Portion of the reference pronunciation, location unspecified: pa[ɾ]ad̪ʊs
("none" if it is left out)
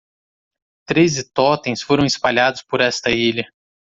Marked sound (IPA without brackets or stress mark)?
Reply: ʎ